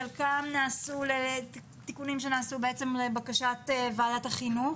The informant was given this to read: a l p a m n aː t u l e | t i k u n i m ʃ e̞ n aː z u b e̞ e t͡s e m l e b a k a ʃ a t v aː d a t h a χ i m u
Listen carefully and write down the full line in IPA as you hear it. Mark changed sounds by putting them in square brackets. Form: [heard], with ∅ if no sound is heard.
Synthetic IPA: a l [k] a m n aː [s] u l e | t i k u n i m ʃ e̞ n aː [s] u b e̞ e t͡s e m l e b a k a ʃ a t v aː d a t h a χ i [n] u